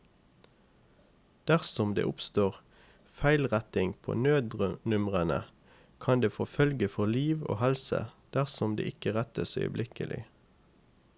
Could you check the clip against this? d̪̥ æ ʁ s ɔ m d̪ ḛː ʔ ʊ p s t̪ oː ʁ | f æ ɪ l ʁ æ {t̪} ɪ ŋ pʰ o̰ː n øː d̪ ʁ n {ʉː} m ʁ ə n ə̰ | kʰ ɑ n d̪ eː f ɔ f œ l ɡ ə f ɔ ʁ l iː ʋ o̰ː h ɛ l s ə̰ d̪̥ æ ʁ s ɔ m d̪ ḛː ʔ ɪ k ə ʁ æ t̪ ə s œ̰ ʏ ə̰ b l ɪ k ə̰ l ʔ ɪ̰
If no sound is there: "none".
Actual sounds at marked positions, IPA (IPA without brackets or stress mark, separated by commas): t̪, ʉ